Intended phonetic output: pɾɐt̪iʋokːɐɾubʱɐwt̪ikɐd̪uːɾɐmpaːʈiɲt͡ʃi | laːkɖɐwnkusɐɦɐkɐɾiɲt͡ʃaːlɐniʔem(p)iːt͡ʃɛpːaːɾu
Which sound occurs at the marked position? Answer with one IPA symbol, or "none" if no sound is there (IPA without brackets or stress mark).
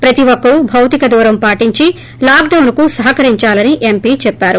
p